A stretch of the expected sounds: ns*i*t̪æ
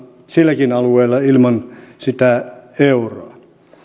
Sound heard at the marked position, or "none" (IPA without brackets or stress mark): i